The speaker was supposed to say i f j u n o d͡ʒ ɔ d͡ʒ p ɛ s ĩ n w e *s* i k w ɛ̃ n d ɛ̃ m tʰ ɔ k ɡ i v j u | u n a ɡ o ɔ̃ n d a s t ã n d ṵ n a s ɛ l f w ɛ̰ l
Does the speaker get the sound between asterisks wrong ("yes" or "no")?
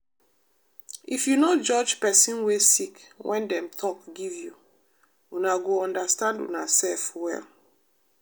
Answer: no